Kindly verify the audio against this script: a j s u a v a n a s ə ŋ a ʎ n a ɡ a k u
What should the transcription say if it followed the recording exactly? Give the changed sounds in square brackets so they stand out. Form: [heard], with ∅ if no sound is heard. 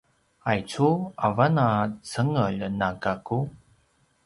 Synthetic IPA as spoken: a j [t͡s] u a v a n a [t͡s] ə ŋ [ə] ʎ n a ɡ a k u